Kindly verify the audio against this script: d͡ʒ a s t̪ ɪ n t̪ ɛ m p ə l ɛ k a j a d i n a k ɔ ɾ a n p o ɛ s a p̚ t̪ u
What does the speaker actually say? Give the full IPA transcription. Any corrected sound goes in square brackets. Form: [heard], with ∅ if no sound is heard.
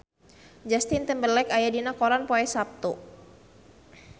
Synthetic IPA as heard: d͡ʒ a s t̪ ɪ n t̪ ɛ m [b] ə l ɛ k a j a d i n a k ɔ ɾ a n p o ɛ s a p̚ t̪ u